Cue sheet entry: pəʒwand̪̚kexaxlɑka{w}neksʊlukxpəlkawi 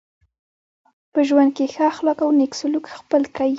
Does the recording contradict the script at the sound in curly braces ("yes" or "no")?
no